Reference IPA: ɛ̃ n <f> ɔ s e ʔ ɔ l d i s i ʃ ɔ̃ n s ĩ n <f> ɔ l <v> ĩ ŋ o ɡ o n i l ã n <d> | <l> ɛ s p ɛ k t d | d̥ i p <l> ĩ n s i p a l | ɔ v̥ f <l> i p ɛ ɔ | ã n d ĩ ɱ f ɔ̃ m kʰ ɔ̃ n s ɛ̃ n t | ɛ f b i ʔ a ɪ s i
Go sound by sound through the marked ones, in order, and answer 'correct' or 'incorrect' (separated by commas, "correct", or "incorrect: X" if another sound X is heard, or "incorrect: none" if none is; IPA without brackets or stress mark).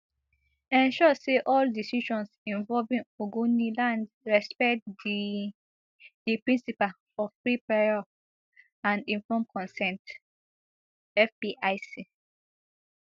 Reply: incorrect: ʃ, incorrect: v, correct, correct, incorrect: ɹ, incorrect: ɹ, incorrect: ɹ